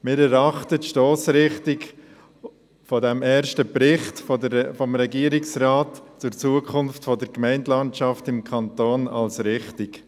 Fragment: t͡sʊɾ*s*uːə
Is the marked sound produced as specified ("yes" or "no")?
no